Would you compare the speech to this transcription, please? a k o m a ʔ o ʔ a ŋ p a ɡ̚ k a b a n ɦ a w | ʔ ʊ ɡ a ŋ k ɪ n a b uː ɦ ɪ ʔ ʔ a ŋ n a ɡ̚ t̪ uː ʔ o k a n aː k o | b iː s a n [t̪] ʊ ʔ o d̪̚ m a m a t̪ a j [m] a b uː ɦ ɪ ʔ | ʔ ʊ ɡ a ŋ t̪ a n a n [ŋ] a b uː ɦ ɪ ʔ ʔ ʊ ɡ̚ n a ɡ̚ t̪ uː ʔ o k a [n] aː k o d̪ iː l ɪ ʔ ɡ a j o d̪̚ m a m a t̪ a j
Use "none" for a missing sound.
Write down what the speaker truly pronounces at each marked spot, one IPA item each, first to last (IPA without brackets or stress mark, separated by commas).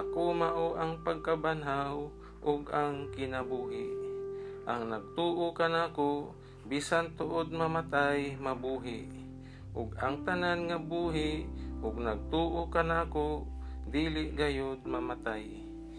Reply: t̪, m, ŋ, n